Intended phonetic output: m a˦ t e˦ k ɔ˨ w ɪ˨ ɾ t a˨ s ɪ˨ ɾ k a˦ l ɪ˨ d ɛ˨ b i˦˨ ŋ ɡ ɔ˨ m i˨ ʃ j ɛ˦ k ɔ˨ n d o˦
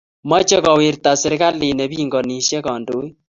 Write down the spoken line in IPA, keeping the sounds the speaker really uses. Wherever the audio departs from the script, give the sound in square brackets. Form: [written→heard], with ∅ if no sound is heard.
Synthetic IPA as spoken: m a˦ [t→t͡ʃ] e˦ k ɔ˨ w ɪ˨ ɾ t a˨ s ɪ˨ ɾ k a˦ l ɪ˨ [d→n] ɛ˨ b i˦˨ ŋ ɡ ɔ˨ [m→n] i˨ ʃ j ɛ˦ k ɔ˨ n d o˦